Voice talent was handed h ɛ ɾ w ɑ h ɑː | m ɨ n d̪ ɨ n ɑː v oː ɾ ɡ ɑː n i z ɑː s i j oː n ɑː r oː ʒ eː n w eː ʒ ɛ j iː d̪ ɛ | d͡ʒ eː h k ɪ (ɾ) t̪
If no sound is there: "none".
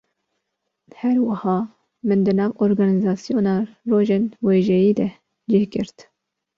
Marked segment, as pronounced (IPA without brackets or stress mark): ɾ